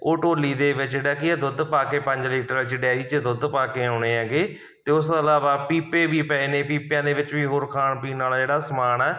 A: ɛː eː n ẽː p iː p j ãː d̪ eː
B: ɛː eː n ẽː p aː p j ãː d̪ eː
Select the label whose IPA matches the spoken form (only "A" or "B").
A